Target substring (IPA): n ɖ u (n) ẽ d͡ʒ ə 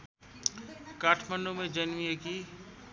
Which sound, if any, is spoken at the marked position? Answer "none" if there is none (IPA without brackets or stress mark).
m